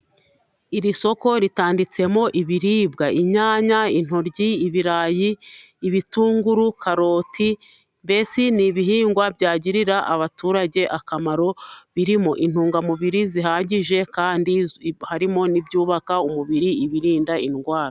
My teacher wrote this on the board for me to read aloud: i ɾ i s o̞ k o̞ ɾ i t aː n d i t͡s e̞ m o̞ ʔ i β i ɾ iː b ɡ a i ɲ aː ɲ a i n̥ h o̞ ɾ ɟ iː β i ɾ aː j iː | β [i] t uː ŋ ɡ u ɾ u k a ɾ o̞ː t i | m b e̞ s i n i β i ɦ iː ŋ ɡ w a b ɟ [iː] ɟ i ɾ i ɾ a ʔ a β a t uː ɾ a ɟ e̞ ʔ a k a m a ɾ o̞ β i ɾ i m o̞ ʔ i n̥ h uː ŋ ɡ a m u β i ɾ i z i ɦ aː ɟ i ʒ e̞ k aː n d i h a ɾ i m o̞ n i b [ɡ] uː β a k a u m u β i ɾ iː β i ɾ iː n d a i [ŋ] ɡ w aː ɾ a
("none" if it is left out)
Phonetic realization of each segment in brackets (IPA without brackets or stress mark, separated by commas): i, aː, ɟ, n